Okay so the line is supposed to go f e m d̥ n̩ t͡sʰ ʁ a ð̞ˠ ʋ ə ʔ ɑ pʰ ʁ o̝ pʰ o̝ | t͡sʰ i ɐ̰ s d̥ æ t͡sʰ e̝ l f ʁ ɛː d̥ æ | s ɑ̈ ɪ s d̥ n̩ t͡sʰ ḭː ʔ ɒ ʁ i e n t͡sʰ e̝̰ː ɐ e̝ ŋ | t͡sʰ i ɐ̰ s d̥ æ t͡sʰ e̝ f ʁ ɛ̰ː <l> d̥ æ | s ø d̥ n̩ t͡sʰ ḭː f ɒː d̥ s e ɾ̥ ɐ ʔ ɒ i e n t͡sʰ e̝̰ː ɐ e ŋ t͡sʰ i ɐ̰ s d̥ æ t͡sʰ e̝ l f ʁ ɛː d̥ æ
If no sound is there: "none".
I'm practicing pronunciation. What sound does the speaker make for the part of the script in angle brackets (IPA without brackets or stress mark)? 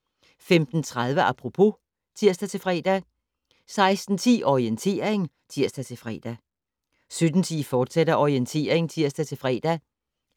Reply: none